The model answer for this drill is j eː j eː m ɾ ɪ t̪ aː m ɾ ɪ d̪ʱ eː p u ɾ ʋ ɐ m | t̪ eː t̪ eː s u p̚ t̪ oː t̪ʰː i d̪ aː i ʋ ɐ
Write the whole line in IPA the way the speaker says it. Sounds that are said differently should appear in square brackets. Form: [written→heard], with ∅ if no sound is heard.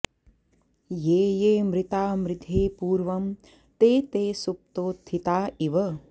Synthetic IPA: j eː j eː m ɾ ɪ t̪ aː m ɾ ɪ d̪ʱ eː p [u→uː] ɾ ʋ ɐ m | t̪ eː t̪ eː s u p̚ t̪ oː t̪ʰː i [d̪→t̪] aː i ʋ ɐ